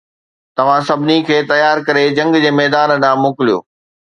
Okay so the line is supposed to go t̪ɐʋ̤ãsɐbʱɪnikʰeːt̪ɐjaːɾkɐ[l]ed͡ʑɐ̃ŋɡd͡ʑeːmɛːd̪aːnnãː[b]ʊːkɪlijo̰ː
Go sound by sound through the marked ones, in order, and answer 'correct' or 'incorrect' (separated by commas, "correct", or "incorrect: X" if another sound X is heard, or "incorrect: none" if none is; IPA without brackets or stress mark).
incorrect: ɾ, incorrect: m